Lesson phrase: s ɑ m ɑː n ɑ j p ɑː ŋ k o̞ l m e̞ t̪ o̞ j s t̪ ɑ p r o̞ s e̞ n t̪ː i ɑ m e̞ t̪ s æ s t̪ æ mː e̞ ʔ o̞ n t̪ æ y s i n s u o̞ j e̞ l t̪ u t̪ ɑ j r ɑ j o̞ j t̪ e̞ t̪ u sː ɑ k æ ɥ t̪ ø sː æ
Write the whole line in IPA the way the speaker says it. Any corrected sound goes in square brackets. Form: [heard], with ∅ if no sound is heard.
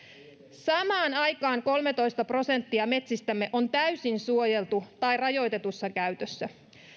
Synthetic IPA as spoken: s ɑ m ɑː n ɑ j [k] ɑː ŋ k o̞ l m e̞ t̪ o̞ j s t̪ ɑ p r o̞ s e̞ n t̪ː i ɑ m e̞ t̪ s [i] s t̪ æ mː e̞ ʔ o̞ n t̪ æ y s i n s u o̞ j e̞ l t̪ u t̪ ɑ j r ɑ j o̞ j t̪ e̞ t̪ u sː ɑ k æ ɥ t̪ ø sː æ